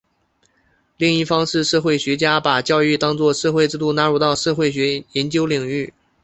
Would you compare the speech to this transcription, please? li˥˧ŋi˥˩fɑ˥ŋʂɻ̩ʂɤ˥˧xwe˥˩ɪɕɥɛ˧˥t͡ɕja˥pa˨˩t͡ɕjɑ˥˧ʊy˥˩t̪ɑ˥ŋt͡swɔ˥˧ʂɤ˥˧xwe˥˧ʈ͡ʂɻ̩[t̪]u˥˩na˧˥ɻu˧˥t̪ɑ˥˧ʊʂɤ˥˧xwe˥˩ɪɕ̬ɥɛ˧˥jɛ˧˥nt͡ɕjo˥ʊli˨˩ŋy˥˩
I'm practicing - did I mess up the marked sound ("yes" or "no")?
no